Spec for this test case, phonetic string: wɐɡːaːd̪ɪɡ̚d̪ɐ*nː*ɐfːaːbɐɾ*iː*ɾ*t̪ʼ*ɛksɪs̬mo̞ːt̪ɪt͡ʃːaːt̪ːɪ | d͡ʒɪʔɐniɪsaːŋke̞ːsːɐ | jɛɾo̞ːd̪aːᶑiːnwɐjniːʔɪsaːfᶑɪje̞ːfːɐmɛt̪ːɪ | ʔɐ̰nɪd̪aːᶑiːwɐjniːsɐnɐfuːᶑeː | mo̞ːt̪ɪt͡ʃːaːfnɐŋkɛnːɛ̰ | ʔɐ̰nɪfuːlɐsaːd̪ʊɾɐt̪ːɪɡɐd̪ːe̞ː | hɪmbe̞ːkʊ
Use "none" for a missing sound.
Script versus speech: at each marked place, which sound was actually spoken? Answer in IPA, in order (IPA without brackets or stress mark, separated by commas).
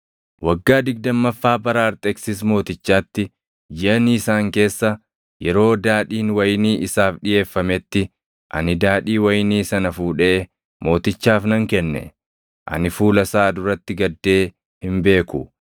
mː, aː, t̪ʼ